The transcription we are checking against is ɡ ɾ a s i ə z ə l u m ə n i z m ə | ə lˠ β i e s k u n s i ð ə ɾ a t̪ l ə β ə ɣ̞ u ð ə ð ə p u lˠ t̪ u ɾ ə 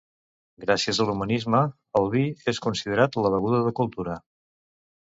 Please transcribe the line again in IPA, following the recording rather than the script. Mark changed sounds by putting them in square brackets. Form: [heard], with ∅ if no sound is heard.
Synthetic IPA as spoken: ɡ ɾ a s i ə z ə l u m ə n i z m ə | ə lˠ β i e s k u n s i ð ə ɾ a t̪ l ə β ə ɣ̞ u ð ə ð ə [k] u lˠ t̪ u ɾ ə